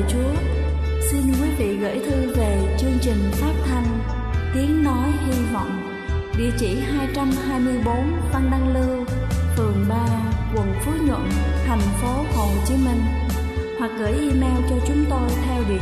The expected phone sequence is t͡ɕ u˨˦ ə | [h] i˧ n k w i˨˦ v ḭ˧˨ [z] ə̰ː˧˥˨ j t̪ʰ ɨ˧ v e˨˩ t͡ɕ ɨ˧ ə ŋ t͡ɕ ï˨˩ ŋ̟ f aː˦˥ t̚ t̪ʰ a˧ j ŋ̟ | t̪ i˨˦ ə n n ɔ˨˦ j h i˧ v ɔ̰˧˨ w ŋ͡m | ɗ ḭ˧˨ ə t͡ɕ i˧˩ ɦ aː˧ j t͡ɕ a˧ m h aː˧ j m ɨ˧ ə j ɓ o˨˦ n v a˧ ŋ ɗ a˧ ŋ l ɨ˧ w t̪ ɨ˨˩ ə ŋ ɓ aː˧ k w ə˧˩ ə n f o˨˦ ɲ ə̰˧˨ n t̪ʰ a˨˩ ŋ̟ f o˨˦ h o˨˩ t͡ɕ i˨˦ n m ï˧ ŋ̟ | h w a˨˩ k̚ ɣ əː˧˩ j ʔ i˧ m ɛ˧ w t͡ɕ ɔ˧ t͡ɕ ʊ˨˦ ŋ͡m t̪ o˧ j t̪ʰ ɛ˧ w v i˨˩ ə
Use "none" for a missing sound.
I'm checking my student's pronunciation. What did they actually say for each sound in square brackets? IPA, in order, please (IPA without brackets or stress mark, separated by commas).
s, ɣ